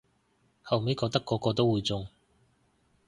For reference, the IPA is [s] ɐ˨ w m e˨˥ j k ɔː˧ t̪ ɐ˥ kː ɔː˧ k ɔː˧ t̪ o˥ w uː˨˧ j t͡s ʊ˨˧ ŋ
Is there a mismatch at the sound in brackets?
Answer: yes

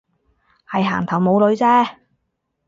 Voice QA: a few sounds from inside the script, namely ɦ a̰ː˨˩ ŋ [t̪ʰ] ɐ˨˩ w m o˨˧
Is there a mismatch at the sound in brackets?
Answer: no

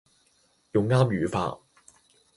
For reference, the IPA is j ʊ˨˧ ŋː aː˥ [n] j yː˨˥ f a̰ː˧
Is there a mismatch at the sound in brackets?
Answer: yes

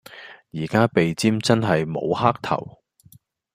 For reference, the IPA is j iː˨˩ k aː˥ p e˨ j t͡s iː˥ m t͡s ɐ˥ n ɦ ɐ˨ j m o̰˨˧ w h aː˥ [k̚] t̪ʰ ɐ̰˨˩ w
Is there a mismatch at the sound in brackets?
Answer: no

